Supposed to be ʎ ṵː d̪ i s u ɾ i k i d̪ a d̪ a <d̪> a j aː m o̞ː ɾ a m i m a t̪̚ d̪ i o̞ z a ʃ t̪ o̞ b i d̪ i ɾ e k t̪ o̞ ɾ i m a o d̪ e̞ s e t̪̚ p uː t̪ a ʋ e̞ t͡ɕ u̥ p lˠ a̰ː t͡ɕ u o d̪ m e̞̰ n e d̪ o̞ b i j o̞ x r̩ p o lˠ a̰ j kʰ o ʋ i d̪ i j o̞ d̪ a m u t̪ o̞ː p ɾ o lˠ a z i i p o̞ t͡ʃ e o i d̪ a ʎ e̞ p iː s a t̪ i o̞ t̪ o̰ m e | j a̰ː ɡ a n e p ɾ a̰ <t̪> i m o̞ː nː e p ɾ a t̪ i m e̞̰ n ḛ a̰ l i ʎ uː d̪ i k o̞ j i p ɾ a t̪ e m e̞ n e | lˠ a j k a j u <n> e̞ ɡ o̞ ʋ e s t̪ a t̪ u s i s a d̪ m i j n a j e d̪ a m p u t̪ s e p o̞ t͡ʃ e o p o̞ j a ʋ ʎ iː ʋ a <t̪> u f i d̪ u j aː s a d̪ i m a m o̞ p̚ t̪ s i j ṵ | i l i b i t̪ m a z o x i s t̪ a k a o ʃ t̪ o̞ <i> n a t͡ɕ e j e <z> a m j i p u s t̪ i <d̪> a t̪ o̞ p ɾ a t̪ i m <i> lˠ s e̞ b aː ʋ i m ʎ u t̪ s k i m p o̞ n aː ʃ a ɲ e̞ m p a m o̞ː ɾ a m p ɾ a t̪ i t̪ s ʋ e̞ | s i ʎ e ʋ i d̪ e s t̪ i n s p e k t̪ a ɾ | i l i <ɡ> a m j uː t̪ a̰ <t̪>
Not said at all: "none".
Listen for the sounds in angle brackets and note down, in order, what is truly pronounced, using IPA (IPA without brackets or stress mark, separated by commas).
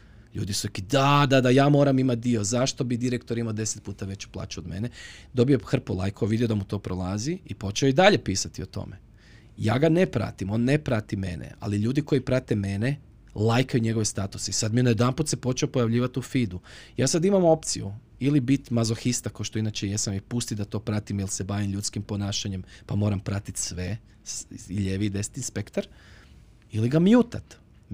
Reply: d̪, t̪, ɲ, t̪, i, s, d̪, i, ɡ, t̪